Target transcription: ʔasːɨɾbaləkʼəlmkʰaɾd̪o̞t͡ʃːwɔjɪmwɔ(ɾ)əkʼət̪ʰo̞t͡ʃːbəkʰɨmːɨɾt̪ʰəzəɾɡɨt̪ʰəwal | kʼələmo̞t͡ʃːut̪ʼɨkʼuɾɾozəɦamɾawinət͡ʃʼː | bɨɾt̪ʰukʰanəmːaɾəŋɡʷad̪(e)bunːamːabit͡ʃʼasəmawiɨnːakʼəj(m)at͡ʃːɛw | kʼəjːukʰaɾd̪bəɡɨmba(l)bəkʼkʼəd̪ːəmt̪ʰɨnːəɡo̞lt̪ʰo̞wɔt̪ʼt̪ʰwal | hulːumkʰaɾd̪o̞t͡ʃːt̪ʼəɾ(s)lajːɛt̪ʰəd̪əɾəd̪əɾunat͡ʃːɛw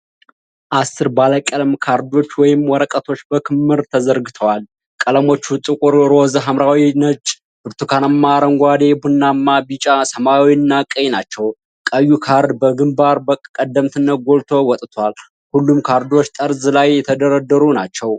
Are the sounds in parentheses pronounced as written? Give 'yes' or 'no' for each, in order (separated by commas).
yes, yes, no, no, no